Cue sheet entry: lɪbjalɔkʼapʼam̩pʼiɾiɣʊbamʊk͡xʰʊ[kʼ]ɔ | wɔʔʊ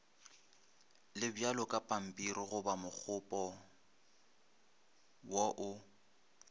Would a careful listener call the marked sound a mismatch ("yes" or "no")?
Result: yes